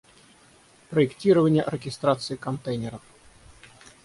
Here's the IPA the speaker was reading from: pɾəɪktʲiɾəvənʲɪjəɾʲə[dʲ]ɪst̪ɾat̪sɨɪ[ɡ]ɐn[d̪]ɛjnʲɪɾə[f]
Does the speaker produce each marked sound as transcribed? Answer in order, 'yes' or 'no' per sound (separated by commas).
no, no, no, yes